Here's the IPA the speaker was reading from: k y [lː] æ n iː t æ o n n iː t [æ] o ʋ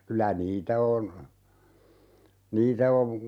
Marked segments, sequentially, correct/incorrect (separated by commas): incorrect, correct